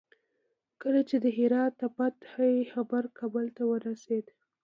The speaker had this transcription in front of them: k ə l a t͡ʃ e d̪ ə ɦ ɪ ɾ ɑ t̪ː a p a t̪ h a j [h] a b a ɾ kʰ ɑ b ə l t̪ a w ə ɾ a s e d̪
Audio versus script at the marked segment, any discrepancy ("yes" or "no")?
yes